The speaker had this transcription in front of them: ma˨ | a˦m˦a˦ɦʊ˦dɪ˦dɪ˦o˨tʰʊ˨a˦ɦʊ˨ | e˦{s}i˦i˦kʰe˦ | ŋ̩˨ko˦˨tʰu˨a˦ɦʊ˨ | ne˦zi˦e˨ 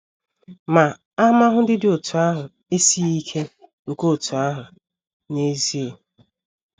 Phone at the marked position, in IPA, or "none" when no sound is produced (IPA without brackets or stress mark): s